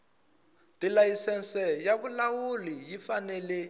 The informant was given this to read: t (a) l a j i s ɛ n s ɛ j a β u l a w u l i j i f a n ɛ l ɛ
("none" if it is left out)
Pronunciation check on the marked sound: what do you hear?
i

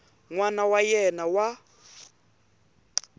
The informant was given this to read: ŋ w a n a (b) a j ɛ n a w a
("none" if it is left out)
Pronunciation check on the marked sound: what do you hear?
w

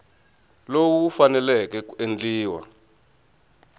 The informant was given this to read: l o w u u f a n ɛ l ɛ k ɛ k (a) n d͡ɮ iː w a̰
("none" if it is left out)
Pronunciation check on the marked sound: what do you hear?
e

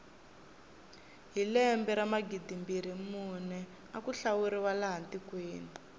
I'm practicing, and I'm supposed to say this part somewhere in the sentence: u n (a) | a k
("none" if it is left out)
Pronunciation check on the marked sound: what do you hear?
ɛ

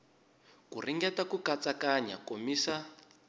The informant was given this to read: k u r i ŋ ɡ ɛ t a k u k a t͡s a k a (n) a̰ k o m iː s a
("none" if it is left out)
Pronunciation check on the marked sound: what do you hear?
ɲ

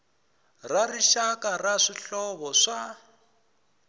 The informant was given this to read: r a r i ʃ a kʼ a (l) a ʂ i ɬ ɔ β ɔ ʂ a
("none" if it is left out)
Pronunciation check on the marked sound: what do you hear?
r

